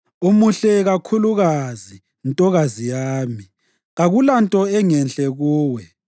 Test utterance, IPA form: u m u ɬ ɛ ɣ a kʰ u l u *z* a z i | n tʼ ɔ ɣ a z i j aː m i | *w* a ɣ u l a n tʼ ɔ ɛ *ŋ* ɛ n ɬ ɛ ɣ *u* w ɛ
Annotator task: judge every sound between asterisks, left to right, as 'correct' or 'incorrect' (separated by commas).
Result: incorrect, incorrect, correct, incorrect